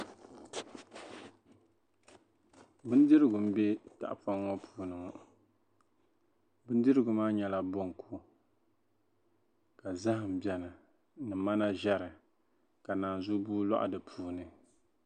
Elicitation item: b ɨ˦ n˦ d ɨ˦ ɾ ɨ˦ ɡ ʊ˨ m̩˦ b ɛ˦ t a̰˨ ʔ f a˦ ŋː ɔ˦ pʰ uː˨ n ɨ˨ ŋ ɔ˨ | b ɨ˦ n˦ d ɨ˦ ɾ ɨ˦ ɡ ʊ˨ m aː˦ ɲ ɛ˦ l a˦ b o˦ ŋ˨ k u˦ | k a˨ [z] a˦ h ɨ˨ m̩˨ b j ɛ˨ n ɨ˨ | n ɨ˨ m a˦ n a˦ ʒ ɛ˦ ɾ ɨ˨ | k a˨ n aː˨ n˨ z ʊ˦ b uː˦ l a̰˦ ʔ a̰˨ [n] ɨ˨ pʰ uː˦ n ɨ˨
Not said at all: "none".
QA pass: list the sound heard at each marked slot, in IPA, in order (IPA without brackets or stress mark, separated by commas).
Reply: z, d